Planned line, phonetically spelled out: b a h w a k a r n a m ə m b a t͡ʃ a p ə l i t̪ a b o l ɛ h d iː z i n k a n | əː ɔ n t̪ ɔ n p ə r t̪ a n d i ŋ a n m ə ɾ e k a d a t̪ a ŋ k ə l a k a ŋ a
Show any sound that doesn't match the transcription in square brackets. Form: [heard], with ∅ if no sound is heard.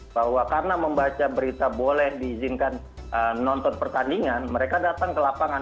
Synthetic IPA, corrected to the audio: b a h w a k a r n a m ə m b a t͡ʃ a [b] ə [ɾ] i t̪ a b o l ɛ h d iː z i n k a n | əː ɔ n t̪ ɔ n p ə r t̪ a n d i ŋ a n m ə ɾ e k a d a t̪ a ŋ k ə l a [p] a ŋ a